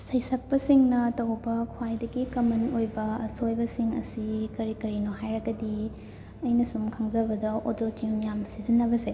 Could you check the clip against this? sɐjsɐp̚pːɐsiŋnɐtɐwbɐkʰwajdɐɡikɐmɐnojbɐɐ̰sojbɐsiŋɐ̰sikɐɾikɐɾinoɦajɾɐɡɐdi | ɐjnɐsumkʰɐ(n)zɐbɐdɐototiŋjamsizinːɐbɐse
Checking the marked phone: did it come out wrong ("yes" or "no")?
yes